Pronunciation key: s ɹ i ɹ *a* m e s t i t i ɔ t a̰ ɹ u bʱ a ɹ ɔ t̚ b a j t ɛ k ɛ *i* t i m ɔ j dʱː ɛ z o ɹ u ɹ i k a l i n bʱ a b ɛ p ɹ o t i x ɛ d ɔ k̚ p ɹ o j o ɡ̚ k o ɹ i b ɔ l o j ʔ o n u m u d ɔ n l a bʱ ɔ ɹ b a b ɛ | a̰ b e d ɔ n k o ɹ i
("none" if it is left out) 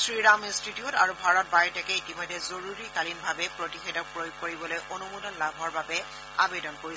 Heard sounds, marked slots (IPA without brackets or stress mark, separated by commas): a, i